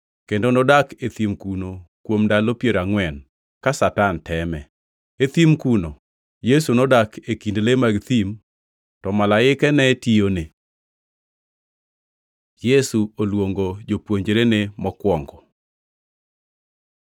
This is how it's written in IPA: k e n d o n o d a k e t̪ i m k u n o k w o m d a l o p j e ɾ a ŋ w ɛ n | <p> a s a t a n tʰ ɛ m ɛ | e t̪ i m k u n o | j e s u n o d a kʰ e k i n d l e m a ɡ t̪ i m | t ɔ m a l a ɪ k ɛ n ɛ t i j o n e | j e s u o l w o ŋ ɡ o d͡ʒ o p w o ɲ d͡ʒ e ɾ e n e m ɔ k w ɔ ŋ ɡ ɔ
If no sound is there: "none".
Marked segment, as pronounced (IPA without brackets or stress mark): k